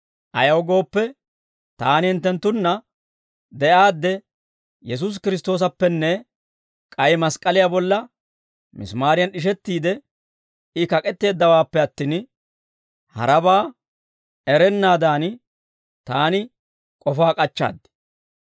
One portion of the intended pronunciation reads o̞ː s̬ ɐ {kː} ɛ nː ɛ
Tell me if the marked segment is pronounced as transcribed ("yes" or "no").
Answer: no